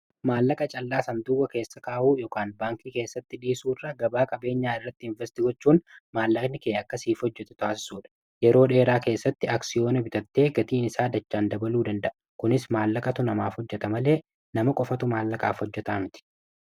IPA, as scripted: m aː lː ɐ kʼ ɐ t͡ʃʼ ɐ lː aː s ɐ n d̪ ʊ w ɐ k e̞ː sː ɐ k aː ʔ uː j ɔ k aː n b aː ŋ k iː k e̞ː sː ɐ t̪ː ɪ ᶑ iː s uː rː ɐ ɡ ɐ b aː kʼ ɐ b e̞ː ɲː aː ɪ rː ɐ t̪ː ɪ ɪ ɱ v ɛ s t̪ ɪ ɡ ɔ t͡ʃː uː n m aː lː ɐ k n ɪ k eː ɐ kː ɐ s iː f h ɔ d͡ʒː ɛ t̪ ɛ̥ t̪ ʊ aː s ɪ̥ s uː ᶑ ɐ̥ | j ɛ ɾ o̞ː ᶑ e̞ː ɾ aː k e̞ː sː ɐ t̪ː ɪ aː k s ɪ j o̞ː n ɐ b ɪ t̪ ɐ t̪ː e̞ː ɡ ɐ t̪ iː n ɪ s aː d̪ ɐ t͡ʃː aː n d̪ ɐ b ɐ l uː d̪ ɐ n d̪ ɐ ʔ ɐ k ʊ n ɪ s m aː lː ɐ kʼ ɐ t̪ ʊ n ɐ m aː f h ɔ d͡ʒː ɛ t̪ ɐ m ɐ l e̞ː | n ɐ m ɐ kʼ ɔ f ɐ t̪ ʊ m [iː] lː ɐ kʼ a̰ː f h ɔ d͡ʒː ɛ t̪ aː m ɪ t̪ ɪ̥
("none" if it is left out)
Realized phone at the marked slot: aː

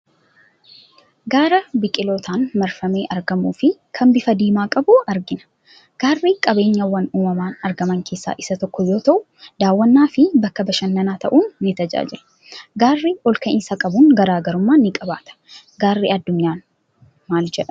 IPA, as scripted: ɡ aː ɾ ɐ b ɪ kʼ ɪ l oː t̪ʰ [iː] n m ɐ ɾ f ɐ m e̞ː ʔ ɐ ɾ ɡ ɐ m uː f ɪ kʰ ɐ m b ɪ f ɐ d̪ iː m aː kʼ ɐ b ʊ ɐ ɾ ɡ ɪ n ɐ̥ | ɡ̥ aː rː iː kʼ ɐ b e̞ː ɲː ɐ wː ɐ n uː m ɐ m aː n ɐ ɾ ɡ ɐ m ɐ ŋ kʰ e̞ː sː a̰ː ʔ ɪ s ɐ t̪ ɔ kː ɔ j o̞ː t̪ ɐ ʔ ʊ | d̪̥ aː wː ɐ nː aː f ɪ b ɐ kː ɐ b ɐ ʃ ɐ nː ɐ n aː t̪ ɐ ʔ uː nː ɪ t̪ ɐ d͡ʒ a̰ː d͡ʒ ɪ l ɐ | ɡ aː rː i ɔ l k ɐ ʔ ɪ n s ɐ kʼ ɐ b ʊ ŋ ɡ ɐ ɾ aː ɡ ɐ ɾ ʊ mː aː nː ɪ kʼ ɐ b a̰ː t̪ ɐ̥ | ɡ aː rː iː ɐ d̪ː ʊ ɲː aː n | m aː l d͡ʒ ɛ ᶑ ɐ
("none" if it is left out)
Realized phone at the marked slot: aː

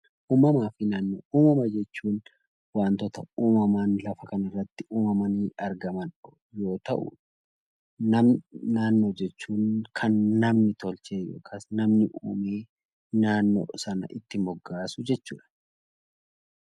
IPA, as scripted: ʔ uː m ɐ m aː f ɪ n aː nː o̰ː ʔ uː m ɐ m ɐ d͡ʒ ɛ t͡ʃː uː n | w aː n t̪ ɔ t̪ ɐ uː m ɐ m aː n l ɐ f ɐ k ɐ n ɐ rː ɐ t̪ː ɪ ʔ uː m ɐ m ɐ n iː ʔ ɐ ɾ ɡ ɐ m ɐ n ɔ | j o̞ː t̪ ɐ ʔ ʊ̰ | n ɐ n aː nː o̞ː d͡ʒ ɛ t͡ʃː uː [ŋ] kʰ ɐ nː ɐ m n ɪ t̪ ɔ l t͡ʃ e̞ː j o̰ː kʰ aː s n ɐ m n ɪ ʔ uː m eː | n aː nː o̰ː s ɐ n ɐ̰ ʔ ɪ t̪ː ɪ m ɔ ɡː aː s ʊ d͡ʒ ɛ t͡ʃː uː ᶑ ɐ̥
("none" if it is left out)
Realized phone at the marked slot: n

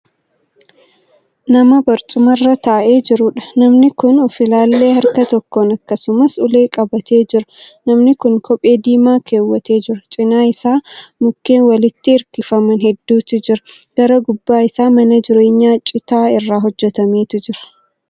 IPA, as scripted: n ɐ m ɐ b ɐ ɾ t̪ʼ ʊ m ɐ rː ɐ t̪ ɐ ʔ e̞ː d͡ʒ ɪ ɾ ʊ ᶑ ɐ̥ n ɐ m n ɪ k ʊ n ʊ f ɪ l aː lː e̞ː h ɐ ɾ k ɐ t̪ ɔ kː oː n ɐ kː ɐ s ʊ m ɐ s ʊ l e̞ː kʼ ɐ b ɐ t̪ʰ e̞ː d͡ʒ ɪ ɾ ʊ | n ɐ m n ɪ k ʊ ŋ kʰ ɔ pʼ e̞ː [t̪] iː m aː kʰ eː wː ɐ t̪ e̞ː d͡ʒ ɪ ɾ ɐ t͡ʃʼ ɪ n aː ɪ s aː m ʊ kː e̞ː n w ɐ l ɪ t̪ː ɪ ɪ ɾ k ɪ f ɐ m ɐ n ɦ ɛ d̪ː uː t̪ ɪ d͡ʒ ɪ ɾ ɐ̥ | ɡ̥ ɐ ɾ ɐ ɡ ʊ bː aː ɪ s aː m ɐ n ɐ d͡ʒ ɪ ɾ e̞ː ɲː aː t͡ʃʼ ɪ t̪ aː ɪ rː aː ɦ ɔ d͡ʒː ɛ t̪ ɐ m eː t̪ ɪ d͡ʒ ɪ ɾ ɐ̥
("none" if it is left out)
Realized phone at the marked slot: d̪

